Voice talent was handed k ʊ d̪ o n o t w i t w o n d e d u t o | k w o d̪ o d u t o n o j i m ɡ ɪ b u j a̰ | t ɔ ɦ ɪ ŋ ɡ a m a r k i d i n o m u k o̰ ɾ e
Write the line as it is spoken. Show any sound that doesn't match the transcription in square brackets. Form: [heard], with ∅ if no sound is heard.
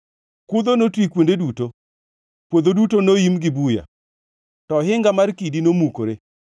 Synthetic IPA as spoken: k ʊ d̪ o n o t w i [k] w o n d e d u t o | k w o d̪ o d u t o n o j i m ɡ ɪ b u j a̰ | t ɔ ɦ ɪ ŋ ɡ a m a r k i d i n o m u k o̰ ɾ e